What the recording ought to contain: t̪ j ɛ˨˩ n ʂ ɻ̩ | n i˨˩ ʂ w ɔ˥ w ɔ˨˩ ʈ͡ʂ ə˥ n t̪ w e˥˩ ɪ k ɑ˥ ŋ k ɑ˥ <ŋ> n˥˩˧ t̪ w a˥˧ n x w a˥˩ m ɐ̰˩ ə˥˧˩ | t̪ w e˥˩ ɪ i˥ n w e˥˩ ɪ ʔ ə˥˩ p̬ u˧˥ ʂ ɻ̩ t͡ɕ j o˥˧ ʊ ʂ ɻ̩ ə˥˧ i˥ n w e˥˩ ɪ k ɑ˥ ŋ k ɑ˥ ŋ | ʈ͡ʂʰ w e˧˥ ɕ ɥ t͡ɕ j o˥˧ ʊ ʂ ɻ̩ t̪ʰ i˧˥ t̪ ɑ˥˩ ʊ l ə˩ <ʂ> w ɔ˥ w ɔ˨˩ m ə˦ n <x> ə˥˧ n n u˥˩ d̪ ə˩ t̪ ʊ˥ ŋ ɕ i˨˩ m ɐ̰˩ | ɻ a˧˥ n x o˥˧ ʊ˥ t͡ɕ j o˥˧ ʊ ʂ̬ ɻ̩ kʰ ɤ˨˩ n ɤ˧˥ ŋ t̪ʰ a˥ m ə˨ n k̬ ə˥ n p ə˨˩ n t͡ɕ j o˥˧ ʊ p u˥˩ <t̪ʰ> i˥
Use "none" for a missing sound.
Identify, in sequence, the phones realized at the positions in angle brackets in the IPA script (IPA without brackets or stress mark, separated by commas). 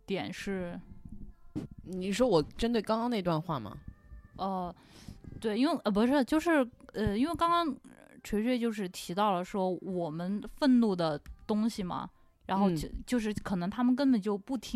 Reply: ŋ, ʂ, f, t̪ʰ